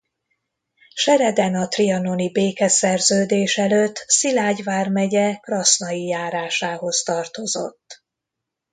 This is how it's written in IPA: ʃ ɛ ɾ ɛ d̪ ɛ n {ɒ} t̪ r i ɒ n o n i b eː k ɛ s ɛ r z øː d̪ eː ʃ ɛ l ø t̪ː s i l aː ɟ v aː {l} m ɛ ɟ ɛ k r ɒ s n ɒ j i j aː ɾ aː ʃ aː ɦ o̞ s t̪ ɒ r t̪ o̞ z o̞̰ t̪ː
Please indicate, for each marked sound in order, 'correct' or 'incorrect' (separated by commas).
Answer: correct, incorrect